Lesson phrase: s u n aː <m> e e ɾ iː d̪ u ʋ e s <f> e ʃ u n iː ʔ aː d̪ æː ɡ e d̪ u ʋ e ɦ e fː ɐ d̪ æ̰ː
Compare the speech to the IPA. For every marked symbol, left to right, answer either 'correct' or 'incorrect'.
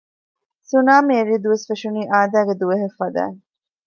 correct, correct

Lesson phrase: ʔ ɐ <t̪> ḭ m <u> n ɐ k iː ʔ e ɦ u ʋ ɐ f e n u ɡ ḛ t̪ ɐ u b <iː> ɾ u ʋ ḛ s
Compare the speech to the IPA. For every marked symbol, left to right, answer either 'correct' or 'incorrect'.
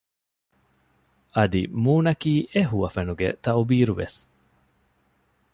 incorrect, incorrect, correct

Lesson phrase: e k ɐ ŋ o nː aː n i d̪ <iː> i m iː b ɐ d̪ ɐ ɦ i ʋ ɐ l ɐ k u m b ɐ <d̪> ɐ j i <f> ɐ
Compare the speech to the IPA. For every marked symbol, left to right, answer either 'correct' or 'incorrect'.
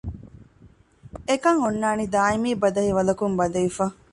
incorrect, correct, correct

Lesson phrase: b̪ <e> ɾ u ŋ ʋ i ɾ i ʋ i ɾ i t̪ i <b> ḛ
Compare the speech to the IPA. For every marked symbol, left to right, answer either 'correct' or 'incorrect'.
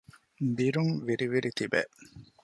incorrect, correct

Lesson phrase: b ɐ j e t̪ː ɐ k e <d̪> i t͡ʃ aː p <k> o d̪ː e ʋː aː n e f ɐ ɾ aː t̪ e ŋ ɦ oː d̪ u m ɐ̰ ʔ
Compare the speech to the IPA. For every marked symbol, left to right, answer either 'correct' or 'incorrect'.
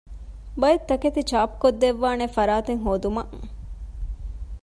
incorrect, correct

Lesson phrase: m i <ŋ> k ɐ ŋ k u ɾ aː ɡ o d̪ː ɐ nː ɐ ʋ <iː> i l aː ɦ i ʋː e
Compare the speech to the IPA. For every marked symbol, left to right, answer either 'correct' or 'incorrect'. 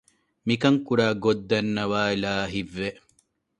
incorrect, incorrect

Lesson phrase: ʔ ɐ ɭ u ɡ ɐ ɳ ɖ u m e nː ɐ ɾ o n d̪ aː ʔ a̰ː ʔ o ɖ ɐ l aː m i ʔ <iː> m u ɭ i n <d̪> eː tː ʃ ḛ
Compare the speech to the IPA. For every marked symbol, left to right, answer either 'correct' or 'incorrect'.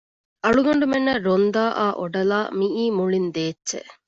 correct, correct

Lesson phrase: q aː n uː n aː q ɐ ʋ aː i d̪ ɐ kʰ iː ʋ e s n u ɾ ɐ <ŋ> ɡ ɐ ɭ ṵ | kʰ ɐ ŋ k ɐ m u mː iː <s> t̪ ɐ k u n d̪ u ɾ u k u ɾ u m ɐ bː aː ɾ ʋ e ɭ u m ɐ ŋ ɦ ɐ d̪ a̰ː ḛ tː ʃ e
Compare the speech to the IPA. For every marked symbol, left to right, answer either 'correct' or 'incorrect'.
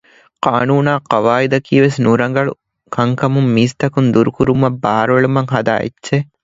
correct, correct

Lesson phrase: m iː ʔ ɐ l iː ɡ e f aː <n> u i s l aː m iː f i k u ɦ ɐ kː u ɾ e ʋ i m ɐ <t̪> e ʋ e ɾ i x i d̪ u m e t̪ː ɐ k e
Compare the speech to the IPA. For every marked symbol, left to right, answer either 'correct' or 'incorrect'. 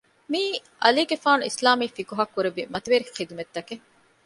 correct, correct

